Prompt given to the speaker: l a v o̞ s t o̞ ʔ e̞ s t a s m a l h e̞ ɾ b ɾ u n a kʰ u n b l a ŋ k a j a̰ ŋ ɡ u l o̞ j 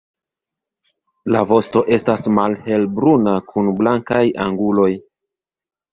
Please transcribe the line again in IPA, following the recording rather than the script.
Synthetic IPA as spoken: l a v o̞ s t o̞ ʔ e̞ s t a s m a l h e̞ l b ɾ u n a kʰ u n b l a ŋ k a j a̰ ŋ ɡ u l o̞ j